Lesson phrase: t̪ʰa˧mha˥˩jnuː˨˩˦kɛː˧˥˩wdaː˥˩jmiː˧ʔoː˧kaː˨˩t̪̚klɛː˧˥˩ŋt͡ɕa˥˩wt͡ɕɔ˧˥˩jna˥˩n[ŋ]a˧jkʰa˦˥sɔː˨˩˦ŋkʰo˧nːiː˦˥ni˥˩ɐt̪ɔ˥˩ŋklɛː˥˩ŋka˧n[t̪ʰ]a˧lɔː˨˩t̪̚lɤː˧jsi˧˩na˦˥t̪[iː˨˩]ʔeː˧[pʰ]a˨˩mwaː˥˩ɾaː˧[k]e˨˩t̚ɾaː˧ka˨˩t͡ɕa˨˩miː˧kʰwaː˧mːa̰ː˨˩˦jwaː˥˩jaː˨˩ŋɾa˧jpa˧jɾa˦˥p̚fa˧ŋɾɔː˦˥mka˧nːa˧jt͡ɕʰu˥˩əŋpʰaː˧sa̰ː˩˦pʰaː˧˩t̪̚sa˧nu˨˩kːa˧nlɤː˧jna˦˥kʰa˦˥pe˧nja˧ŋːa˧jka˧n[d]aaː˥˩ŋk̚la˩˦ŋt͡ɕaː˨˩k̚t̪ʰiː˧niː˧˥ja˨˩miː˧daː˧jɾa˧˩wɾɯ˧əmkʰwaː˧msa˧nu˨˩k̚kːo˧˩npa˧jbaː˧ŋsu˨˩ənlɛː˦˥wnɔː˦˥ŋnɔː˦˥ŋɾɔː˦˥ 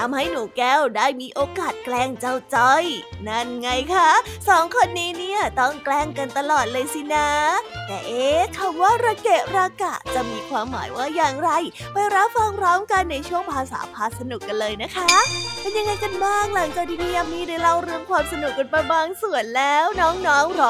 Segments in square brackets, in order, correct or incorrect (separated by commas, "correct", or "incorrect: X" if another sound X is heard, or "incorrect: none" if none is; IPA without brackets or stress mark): correct, incorrect: t̪, incorrect: ɛː˨˩, incorrect: kʰ, correct, incorrect: b